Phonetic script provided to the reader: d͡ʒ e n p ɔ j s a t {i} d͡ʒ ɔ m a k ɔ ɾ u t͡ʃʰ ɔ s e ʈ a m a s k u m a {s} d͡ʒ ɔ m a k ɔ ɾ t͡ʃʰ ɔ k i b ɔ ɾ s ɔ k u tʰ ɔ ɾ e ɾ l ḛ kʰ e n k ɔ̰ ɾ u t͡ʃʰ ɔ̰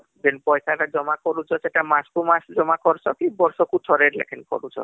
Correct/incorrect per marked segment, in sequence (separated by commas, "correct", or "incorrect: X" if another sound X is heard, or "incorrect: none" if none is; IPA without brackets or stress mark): incorrect: a, correct